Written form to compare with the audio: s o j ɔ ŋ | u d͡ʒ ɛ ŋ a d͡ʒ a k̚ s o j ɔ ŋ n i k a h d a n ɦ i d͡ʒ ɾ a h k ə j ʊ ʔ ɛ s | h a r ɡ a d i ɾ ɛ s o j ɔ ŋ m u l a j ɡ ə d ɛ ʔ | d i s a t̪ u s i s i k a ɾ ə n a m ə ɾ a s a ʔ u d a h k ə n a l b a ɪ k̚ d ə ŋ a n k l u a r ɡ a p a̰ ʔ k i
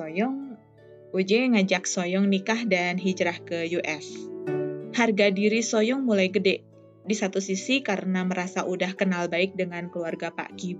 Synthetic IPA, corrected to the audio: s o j ɔ ŋ | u d͡ʒ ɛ ŋ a d͡ʒ a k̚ s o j ɔ ŋ n i k a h d a n ɦ i d͡ʒ ɾ a h k ə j u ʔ ɛ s | h a r ɡ a d i ɾ i s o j ɔ ŋ m u l a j ɡ ə d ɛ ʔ | d i s a t̪ u s i s i k a ɾ ə n a m ə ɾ a s a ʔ u d a h k ə n a l b a ɪ k̚ d ə ŋ a n k l u a r ɡ a p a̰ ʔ k i